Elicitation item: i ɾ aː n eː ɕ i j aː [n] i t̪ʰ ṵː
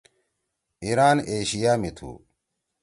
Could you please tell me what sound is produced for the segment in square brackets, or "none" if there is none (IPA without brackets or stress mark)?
m